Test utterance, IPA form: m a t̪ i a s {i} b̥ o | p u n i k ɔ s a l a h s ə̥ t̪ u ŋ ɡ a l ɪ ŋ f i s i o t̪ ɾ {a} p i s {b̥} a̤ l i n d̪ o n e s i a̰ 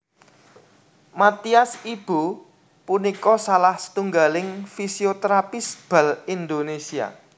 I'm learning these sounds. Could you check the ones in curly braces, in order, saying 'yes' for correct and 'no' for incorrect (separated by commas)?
yes, yes, yes